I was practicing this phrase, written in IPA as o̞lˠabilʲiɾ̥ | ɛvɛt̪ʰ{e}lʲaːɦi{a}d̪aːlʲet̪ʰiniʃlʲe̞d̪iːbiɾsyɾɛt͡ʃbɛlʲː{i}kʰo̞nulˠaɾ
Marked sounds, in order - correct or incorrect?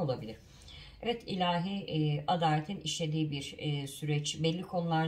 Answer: incorrect: i, correct, correct

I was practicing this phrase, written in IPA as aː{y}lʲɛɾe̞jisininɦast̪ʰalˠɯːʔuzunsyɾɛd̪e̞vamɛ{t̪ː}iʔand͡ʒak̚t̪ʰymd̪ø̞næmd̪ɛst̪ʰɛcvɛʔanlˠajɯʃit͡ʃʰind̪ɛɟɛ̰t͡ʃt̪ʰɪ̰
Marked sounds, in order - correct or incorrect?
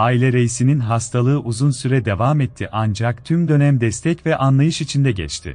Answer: incorrect: i, incorrect: t̪ʰː

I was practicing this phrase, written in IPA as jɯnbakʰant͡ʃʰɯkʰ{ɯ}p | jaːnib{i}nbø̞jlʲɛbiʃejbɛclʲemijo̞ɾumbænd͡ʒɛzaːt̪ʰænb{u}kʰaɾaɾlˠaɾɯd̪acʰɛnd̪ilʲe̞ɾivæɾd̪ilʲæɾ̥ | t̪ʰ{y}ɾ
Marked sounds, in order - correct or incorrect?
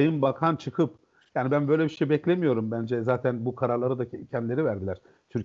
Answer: correct, incorrect: æ, correct, correct

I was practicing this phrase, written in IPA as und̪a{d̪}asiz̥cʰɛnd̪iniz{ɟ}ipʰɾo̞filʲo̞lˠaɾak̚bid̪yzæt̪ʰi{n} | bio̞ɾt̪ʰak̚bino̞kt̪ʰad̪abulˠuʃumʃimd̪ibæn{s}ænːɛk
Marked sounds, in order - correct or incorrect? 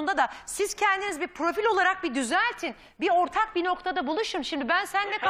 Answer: correct, incorrect: b, correct, correct

